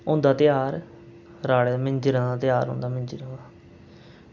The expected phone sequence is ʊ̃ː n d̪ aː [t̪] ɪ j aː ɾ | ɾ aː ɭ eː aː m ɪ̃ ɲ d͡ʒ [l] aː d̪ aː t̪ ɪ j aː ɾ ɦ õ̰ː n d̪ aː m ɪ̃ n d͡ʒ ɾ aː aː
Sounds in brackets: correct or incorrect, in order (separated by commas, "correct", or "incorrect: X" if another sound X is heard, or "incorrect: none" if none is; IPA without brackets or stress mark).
correct, incorrect: ɾ